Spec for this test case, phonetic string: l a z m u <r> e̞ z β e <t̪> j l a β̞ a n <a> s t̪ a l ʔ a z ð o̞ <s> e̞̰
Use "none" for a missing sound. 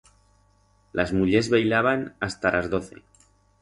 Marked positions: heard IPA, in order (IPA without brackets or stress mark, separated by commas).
ʎ, none, a, θ